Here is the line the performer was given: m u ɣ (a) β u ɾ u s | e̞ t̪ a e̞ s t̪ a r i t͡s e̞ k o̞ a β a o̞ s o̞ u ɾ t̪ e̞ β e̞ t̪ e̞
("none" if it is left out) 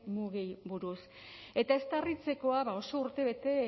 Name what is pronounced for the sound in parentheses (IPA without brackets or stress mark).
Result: i